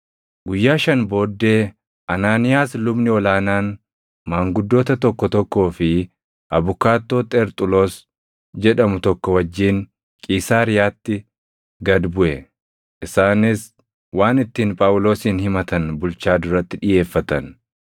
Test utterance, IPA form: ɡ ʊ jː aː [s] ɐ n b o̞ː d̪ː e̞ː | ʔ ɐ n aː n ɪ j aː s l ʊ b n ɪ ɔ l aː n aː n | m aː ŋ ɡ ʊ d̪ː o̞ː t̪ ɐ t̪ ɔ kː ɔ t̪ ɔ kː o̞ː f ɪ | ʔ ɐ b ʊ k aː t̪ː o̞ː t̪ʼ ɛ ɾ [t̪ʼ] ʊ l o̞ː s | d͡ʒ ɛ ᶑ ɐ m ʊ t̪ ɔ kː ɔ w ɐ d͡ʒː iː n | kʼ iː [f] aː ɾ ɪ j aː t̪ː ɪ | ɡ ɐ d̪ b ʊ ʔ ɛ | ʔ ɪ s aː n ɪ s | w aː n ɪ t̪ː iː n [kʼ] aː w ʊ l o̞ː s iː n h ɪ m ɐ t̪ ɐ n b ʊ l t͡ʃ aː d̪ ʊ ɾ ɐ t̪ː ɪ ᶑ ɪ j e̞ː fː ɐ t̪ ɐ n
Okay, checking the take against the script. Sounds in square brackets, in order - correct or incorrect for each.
incorrect: ʃ, correct, incorrect: s, incorrect: pʼ

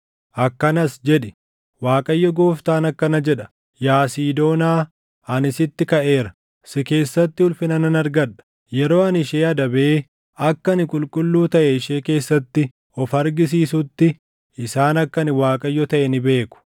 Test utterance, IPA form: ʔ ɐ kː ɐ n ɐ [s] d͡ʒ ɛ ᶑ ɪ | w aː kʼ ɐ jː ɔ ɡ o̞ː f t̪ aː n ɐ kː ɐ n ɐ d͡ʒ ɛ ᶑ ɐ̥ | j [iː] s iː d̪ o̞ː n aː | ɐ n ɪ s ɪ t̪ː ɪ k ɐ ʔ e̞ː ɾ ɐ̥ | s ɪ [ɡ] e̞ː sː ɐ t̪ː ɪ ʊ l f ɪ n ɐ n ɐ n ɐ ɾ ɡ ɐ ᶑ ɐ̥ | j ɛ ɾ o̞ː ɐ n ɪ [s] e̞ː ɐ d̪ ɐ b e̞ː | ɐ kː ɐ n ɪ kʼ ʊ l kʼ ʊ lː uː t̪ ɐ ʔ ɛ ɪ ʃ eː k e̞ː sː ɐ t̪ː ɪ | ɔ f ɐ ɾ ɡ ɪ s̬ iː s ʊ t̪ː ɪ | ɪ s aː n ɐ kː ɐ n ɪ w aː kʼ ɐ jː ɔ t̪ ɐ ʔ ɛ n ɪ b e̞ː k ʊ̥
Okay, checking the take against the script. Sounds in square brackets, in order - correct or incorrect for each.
correct, incorrect: aː, incorrect: k, incorrect: ʃ

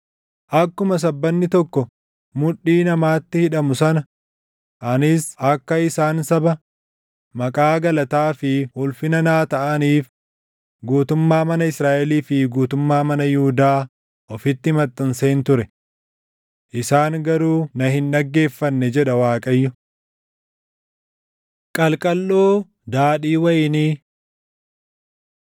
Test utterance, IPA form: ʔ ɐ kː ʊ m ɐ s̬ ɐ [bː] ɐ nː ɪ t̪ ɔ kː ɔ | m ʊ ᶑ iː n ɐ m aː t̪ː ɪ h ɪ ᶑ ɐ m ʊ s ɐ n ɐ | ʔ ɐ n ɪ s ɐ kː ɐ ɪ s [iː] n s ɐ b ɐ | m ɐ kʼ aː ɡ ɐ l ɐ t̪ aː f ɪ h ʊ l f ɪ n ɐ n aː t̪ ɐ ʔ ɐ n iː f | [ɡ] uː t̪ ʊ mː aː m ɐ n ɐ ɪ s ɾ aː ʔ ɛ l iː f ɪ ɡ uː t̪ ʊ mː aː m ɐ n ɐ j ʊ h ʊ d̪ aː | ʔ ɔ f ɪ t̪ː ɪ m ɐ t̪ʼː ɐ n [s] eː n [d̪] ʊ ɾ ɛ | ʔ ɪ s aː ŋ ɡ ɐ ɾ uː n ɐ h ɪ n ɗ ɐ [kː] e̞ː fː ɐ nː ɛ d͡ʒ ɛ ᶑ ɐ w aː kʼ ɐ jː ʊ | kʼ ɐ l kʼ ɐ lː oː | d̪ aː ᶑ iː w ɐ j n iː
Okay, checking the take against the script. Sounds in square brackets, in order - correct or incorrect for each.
correct, incorrect: aː, correct, correct, incorrect: t̪, incorrect: ɡː

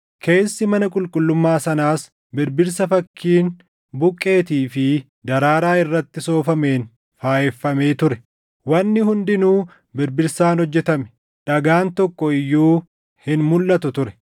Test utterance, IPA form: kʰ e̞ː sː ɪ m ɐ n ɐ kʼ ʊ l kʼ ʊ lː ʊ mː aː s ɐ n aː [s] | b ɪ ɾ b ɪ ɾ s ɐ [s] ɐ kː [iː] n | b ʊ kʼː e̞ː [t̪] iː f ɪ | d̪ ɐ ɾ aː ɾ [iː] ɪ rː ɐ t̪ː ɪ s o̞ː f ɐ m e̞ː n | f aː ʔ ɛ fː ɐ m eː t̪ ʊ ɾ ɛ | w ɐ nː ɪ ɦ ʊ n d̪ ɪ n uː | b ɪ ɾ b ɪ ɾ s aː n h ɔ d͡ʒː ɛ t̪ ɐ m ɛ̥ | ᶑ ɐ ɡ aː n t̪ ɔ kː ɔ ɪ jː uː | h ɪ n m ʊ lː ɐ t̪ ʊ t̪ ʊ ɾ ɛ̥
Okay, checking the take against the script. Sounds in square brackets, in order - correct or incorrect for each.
correct, incorrect: f, correct, correct, incorrect: aː

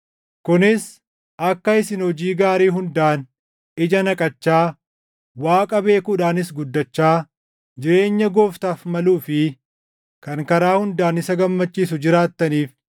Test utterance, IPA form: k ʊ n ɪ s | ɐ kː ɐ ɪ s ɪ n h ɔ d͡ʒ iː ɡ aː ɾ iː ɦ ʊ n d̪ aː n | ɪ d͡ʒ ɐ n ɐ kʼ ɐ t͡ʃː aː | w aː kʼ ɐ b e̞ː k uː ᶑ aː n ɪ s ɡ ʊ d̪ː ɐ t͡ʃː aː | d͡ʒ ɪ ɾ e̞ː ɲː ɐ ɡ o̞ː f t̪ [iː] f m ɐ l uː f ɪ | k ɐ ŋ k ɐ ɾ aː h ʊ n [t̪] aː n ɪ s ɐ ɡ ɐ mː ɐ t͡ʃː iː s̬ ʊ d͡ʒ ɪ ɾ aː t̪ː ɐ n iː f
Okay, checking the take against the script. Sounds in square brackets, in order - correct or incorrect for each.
incorrect: aː, incorrect: d̪

